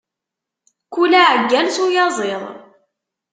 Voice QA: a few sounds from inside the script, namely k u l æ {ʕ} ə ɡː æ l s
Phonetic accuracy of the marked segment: correct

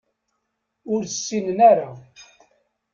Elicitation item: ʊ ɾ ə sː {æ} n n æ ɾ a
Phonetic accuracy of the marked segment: incorrect: i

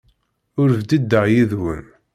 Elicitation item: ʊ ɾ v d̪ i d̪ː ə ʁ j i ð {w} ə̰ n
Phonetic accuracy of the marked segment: correct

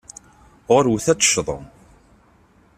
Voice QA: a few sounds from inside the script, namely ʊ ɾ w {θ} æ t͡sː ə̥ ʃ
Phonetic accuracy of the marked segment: correct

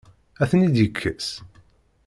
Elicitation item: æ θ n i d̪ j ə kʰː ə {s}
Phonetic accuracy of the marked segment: correct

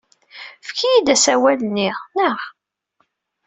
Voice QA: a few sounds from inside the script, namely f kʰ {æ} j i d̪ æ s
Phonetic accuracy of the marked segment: incorrect: i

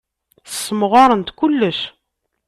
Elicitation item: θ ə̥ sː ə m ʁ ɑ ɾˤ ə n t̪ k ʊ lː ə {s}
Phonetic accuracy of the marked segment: incorrect: ʃ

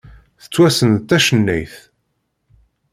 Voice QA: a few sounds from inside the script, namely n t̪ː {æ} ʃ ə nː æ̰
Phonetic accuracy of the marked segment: correct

